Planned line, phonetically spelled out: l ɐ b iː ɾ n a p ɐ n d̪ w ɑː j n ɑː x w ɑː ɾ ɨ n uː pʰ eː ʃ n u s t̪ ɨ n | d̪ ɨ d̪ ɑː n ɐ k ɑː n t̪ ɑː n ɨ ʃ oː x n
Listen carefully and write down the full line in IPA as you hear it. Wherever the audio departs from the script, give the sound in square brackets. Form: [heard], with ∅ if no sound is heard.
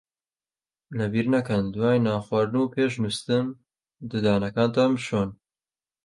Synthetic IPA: l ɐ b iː ɾ n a [k] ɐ n d̪ w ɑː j n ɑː x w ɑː ɾ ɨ n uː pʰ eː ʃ n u s t̪ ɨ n | d̪ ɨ d̪ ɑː n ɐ k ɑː n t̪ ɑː [m] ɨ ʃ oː [∅] n